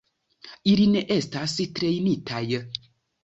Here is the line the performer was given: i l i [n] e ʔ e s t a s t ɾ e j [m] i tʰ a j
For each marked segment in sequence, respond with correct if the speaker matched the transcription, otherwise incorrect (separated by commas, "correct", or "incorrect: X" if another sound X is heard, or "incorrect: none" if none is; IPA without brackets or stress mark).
correct, incorrect: n